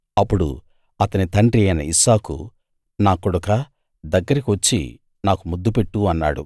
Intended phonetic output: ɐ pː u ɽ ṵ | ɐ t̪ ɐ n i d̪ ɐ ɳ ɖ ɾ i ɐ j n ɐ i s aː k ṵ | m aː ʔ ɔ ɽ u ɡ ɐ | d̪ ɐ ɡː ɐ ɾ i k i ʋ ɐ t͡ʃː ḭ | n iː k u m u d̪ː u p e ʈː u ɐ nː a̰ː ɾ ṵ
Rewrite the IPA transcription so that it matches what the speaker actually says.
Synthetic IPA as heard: ɐ pː u ɽ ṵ | ɐ t̪ ɐ n i t̪ ɐ ɳ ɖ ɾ i ɐ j n ɐ i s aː k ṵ | n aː k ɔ ɽ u k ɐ | d̪ ɐ ɡː ɐ ɾ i k i ʋ ɐ t͡ʃː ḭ | n aː k u m u d̪ː u p e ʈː u ɐ nː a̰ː ɽ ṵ